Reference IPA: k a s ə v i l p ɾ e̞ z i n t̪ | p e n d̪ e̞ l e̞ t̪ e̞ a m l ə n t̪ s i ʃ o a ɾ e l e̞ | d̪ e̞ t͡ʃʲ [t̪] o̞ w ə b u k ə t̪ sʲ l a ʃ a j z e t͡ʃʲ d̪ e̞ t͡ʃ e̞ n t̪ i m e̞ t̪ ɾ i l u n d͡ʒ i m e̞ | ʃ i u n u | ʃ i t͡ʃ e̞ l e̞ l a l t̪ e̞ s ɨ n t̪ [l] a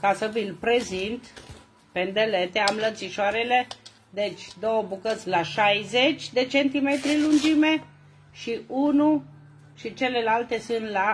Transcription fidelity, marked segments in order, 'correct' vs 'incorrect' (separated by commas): incorrect, correct